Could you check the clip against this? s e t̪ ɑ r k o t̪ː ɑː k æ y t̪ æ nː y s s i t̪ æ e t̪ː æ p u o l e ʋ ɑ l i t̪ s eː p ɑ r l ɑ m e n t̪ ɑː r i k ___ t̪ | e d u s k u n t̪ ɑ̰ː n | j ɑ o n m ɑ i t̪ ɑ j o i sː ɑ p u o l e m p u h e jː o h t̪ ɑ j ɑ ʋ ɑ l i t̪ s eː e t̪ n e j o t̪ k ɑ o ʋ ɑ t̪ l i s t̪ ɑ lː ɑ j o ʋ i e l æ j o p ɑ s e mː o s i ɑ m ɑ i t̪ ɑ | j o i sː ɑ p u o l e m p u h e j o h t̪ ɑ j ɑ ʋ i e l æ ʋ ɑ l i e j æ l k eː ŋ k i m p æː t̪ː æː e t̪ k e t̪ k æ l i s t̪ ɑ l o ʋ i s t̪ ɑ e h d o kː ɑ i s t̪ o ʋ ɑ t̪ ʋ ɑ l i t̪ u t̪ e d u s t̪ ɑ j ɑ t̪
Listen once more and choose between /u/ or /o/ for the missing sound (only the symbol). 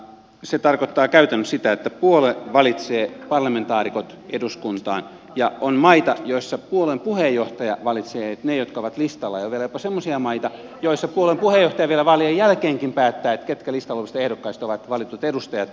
o